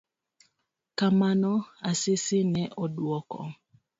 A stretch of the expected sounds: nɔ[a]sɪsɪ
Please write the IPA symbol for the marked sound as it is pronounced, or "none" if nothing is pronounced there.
a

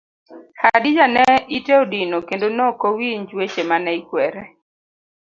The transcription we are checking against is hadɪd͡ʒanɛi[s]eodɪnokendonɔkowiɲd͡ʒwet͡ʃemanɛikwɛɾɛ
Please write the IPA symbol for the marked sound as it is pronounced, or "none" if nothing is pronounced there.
t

